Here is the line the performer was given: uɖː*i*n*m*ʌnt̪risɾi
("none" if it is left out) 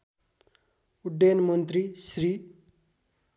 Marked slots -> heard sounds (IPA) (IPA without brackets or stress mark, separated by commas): e, m